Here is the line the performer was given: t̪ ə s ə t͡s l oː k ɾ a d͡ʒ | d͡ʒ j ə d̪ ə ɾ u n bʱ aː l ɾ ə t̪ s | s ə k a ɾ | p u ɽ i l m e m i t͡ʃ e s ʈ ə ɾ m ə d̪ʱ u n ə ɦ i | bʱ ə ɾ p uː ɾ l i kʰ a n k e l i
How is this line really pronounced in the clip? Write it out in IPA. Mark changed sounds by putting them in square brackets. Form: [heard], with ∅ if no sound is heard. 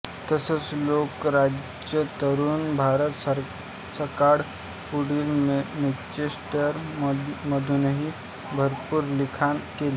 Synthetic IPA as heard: t̪ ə s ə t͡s l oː k ɾ a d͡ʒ | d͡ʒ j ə [t̪] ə ɾ u n bʱ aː [∅] ɾ ə t̪ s | s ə k a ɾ | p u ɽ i l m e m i t͡ʃ e s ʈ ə ɾ m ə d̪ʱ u n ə ɦ i | bʱ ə ɾ p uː ɾ l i kʰ a n k e l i